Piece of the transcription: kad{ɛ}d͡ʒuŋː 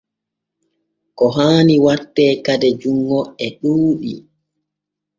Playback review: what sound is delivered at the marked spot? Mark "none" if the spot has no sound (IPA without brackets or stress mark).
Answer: ɛ